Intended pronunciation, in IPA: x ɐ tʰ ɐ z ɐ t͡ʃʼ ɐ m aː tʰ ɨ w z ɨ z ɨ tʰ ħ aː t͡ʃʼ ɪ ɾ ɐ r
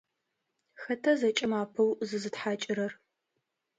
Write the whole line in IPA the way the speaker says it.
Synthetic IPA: x ɐ tʰ ɐ z ɐ t͡ʃʼ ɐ m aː pʰ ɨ w z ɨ z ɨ t ħ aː t͡ʃʼ ɪ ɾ ɐ r